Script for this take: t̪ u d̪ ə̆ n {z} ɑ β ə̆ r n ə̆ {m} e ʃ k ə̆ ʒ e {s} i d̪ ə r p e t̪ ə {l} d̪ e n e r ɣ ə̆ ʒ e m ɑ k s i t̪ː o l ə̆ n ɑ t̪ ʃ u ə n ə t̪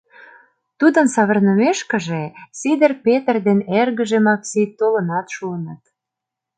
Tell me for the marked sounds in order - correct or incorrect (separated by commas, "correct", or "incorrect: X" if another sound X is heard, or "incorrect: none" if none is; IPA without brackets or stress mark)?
incorrect: s, correct, correct, incorrect: r